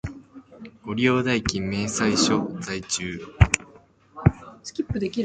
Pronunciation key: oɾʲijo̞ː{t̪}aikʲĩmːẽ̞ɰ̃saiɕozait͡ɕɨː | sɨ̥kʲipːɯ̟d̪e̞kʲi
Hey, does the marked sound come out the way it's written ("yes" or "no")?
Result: no